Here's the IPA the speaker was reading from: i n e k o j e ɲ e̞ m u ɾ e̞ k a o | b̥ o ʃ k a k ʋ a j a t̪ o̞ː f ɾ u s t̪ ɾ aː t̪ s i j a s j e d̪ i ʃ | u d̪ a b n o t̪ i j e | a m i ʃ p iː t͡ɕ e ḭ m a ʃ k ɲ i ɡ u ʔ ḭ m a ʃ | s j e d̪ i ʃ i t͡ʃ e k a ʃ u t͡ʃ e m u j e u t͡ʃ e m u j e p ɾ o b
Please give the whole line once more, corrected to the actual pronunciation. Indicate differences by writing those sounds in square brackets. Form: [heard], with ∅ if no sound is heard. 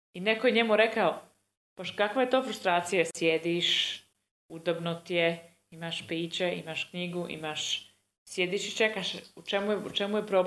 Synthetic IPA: i n e k o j e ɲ e̞ m u ɾ e̞ k a o | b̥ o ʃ k a k ʋ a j [e] t̪ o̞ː f ɾ u s t̪ ɾ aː t̪ s i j a s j e d̪ i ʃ | u d̪ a b n o t̪ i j e | [i] m [a] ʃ p iː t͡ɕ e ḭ m a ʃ k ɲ i ɡ u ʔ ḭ m a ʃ | s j e d̪ i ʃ i t͡ʃ e k a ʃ u t͡ʃ e m u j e u t͡ʃ e m u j e p ɾ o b